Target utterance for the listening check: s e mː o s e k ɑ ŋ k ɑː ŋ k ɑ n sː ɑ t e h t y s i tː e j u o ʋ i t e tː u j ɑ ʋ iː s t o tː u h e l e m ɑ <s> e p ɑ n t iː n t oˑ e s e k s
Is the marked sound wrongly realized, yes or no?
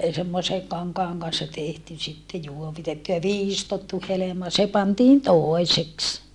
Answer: no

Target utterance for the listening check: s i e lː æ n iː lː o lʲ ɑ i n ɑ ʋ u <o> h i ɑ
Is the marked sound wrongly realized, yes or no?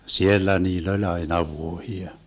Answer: no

